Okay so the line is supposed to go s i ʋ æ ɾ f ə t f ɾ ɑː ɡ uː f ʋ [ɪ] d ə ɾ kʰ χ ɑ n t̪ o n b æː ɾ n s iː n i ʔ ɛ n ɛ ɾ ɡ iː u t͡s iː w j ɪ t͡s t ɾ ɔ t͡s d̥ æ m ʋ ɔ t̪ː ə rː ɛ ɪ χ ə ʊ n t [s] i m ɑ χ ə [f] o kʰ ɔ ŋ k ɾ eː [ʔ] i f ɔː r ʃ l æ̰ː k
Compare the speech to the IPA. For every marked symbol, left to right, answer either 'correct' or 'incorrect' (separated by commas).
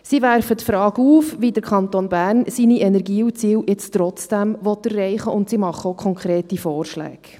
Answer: incorrect, correct, incorrect, incorrect